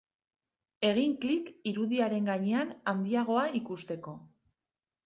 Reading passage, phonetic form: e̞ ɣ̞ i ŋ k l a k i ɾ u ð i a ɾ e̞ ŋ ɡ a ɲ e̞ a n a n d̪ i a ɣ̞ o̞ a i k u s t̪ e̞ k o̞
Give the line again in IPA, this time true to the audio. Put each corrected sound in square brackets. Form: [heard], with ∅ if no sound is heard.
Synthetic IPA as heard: e̞ ɣ̞ i ŋ k l [i] k i ɾ u ð i a ɾ e̞ ŋ ɡ a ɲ e̞ a n a n d̪ i a ɣ̞ o̞ a i k u s t̪ e̞ k o̞